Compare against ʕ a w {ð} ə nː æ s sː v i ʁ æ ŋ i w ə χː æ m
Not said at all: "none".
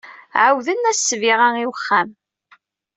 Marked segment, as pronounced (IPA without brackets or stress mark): ð